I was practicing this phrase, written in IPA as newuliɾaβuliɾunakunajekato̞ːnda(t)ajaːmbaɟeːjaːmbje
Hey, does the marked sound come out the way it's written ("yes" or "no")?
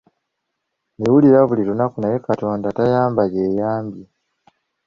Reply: yes